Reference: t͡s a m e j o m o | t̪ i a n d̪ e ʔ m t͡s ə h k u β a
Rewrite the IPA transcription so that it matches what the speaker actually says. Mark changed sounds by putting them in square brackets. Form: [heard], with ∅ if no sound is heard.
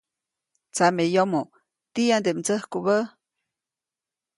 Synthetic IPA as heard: t͡s a m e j o m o | t̪ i a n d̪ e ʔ m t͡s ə h k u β [ə]